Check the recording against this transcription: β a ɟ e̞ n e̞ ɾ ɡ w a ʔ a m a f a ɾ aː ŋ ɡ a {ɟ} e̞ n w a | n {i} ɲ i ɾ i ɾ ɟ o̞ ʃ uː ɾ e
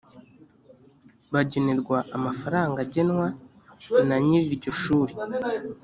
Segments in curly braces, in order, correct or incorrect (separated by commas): correct, incorrect